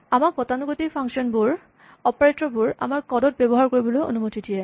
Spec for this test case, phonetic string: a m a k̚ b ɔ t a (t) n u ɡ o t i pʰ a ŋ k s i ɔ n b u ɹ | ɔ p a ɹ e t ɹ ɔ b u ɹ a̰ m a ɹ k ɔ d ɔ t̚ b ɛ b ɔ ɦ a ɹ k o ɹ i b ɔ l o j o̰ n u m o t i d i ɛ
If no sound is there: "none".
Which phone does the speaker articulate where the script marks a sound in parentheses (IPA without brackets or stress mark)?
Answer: none